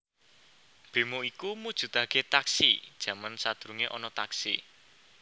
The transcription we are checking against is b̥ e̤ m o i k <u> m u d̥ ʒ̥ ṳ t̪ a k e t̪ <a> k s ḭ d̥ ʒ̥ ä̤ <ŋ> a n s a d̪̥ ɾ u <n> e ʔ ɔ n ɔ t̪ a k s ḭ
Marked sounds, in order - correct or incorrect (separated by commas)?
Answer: correct, correct, incorrect, incorrect